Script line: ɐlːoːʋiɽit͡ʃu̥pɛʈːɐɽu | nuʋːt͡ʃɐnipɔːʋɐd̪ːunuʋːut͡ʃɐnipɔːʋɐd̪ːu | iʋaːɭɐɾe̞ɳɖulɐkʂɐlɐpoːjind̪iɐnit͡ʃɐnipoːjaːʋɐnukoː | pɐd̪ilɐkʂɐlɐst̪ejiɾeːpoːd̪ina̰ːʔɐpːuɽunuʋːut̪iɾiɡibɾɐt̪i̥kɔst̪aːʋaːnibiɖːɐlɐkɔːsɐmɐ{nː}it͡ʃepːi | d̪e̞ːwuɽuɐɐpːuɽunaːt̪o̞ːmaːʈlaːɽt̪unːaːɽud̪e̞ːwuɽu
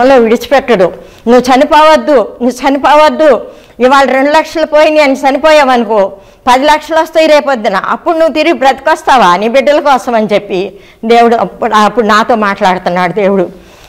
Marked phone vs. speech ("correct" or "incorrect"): incorrect